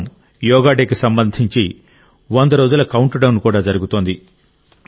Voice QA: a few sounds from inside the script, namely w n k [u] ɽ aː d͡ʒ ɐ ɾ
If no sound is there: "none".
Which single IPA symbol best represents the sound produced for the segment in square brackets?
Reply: uː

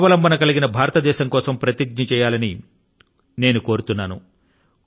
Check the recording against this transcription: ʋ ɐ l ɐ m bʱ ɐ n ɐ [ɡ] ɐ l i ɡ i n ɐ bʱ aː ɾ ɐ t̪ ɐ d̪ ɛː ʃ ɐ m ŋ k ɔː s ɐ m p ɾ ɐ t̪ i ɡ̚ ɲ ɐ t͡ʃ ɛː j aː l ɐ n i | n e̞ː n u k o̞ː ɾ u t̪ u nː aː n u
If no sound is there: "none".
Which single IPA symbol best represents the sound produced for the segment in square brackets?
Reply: k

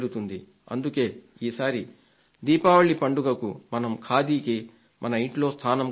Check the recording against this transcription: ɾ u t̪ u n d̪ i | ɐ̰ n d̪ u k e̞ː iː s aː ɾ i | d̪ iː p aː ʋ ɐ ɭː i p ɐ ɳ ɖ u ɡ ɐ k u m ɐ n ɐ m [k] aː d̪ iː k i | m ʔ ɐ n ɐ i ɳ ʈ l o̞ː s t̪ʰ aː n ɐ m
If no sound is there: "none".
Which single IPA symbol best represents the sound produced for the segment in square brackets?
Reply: kʰ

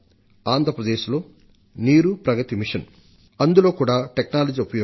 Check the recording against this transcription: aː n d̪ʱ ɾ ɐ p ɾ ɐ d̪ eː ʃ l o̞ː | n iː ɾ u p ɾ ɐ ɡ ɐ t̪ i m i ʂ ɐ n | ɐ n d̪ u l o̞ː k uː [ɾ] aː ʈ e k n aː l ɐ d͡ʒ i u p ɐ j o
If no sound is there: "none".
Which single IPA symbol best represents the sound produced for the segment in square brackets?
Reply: ɽ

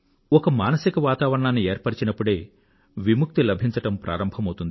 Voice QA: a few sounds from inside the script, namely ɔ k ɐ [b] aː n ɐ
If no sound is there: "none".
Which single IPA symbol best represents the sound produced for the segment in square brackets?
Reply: m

